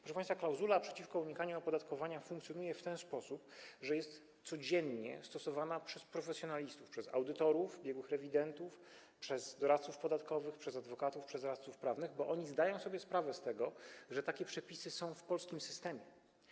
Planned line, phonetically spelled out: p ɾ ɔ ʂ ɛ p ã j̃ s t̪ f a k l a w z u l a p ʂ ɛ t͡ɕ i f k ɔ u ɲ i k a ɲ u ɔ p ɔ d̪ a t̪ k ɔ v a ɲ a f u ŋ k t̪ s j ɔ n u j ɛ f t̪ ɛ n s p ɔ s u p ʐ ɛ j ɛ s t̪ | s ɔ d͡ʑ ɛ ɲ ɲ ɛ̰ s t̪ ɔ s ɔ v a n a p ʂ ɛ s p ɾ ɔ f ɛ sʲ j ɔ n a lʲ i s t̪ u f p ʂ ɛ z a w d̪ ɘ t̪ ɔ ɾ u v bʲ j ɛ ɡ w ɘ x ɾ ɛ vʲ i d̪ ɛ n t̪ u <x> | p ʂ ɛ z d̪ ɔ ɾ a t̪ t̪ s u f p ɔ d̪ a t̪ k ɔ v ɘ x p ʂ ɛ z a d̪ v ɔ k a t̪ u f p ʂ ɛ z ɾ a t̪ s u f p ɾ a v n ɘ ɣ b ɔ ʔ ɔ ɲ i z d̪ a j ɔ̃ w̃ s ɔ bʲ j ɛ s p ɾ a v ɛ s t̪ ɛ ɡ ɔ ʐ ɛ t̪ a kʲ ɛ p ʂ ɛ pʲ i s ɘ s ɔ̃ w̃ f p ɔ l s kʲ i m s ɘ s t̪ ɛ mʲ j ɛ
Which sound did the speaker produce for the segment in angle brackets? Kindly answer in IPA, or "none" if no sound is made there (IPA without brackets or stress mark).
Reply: f